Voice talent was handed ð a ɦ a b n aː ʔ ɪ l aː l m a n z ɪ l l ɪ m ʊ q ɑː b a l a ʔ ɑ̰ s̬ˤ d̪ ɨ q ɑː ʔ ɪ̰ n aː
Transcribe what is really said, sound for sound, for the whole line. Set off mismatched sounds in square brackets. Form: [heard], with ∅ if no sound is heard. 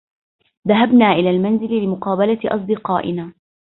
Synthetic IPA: ð a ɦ a b n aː ʔ ɪ l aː l m a n z ɪ l l ɪ m ʊ q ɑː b a l a ʔ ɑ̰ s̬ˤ d̪ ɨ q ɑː ʔ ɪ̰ n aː